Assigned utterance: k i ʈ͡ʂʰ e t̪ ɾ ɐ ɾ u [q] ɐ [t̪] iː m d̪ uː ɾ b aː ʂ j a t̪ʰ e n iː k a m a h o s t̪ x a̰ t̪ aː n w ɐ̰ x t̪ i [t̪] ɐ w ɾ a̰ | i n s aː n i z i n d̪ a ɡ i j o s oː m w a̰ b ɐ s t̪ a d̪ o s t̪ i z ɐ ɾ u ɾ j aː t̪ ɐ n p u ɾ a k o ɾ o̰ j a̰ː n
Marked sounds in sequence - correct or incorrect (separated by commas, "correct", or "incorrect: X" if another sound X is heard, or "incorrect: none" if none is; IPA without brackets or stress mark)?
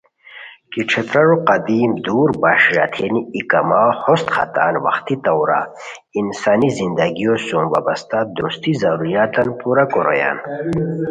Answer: correct, incorrect: d̪, correct